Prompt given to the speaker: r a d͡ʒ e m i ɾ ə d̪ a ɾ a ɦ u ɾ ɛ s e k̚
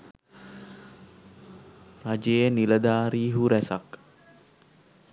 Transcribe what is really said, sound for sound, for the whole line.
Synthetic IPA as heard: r a d͡ʒ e n i l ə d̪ a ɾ i ɦ u ɾ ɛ s a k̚

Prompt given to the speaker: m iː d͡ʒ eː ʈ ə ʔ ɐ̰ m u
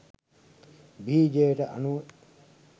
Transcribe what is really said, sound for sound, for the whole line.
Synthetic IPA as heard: b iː d͡ʒ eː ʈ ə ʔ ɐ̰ n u

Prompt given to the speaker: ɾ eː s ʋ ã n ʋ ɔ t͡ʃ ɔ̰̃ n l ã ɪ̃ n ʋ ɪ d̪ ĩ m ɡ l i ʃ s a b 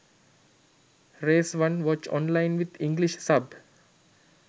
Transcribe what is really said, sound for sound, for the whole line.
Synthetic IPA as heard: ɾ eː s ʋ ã n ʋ ɔ t͡ʃ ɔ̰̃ n l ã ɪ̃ n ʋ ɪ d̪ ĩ ŋ ɡ l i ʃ s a b

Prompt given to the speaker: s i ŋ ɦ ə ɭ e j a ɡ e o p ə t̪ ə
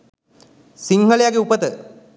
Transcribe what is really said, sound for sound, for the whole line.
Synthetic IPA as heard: s i ŋ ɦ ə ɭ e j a ɡ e u p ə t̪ ə

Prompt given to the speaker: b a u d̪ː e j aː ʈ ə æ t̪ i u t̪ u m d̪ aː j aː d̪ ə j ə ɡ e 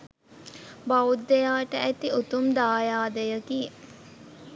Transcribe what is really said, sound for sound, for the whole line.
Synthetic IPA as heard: b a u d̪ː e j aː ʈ ə æ t̪ i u t̪ u m d̪ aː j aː d̪ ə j ə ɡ i

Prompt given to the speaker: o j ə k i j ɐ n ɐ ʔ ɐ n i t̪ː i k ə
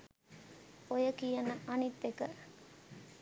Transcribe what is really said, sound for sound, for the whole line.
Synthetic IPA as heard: o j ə k i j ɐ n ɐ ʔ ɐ n i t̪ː e k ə

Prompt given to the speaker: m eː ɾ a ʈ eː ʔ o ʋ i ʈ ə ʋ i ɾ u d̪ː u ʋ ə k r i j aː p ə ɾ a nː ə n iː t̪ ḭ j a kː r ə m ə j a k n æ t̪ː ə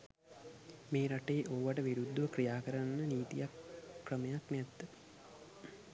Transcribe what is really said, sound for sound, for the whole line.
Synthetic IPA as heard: m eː ɾ a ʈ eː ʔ o ʋ a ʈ ə ʋ i ɾ u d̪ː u ʋ ə k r i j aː k ə ɾ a nː ə n iː t̪ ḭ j a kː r ə m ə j a k n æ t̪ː ə

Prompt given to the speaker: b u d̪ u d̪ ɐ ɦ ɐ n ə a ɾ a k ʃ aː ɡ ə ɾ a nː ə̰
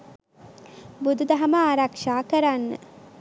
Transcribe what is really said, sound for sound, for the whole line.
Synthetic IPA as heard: b u d̪ u d̪ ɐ ɦ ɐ m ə a ɾ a k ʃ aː k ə ɾ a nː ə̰

